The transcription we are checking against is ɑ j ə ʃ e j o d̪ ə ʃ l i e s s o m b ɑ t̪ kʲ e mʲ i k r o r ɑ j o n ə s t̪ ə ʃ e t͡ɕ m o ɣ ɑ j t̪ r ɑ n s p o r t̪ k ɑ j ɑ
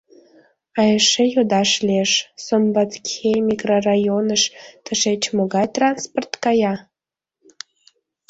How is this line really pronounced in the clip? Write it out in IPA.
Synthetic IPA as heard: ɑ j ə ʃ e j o d̪ ɑ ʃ l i e ʃ s o m b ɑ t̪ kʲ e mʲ i k r o r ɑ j o n ə ʃ t̪ ə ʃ e t͡ɕ m o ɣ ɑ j t̪ r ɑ n s p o r t̪ k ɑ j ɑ